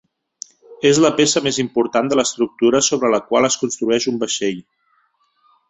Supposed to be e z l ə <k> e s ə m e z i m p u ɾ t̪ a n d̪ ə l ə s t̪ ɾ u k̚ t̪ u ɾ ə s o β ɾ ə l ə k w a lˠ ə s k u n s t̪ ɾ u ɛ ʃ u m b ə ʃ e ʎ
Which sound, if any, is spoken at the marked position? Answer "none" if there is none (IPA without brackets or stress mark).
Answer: p